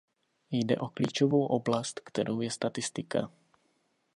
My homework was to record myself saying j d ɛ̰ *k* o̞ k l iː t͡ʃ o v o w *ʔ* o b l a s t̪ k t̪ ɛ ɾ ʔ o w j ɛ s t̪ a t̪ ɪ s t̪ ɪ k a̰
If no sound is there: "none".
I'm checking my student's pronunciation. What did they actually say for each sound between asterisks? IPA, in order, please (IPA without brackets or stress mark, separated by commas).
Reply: ʔ, ʔ